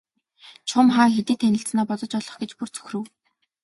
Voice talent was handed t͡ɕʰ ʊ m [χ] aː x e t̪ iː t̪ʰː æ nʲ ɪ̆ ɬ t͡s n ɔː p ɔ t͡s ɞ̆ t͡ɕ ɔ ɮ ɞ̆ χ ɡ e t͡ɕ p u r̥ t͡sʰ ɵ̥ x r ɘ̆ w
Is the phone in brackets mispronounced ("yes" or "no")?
no